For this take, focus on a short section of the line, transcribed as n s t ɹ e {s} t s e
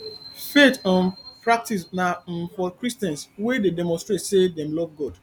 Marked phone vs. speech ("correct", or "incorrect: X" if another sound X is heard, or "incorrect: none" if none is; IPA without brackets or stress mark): incorrect: none